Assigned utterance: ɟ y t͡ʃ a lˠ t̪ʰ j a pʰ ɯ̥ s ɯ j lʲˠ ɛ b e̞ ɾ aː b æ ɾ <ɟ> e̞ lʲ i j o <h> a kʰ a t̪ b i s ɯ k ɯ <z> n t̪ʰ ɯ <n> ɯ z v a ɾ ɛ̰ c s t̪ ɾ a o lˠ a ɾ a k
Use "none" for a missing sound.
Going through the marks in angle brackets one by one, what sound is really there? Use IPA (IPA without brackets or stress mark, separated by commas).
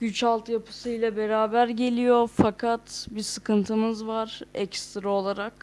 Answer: ɟ, f, none, m